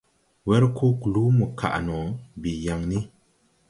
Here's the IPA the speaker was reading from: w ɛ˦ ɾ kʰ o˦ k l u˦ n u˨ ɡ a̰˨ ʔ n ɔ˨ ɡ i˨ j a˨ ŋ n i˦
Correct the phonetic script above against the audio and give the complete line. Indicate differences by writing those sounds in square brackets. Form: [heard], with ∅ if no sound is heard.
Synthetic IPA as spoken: w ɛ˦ ɾ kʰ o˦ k l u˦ [m] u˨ [k] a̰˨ ʔ n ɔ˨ [b] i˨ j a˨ ŋ n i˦